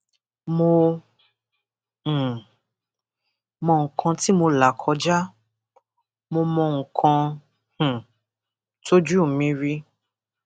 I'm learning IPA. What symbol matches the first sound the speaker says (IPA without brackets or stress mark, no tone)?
m